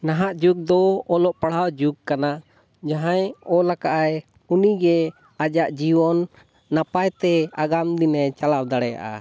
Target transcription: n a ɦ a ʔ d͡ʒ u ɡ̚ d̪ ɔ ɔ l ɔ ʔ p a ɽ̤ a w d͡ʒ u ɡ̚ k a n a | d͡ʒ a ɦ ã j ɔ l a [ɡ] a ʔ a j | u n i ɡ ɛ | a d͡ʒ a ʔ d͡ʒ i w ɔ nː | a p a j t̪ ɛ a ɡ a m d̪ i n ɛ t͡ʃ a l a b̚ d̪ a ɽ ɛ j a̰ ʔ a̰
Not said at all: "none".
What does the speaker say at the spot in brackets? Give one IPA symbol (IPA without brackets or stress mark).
k